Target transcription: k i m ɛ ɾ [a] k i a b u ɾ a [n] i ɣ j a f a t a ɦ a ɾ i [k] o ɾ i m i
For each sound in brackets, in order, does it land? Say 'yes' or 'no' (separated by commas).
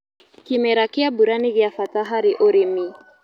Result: yes, yes, no